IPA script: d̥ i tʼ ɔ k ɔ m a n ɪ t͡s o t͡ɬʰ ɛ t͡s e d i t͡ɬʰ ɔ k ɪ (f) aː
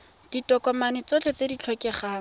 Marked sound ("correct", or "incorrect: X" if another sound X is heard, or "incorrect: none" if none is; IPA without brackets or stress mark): incorrect: χ